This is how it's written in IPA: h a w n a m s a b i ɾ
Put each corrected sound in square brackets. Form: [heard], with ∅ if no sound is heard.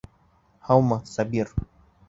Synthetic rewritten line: h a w [m] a [∅] s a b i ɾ